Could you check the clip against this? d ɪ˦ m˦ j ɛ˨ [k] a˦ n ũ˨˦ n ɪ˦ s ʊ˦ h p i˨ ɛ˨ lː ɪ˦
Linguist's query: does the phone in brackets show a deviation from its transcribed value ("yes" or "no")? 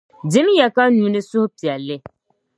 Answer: no